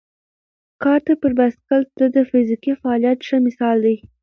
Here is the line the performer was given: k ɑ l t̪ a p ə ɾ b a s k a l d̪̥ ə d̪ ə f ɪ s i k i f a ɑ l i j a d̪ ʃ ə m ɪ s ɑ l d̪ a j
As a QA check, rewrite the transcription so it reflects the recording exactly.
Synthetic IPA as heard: k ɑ ɾ t̪ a p ə ɾ b a s k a l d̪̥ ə d̪ ə f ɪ z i k i f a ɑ l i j a t̪ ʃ ə m ɪ s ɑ l d̪ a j